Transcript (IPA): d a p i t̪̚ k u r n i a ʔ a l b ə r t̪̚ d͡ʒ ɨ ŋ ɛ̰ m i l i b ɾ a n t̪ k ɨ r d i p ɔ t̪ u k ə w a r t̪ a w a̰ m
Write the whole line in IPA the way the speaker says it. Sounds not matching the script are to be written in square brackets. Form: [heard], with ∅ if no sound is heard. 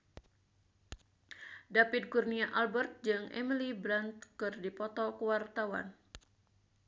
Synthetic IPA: d a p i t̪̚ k u r n i a ʔ a l b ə r t̪̚ d͡ʒ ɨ ŋ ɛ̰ m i l i b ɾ a n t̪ k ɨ r d i p ɔ t̪ [ɔ] k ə w a r t̪ a w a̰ [n]